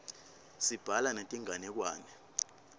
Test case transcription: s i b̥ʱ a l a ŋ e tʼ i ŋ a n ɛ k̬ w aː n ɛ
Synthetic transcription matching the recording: s i b̥ʱ a l a n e tʼ i ŋ a n ɛ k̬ w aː n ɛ